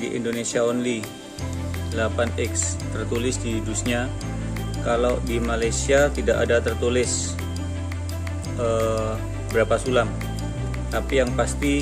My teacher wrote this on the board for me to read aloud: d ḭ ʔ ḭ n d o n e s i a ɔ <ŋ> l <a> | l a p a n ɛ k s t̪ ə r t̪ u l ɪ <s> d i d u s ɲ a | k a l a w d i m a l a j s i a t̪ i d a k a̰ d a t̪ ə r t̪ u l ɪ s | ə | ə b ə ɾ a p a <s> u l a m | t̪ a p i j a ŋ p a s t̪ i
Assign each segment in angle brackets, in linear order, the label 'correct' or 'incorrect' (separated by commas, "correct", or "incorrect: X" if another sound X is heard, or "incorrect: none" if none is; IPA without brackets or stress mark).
incorrect: n, incorrect: i, correct, correct